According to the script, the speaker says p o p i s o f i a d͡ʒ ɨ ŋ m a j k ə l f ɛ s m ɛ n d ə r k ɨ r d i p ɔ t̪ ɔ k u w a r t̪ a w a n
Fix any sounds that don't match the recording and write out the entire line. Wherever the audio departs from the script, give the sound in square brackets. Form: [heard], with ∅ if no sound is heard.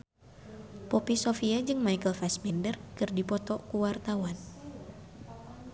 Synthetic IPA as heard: p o p i s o f i a d͡ʒ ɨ ŋ m a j k ə l f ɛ s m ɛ n d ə r k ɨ r d i p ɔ t̪ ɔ k u w a r t̪ a w a n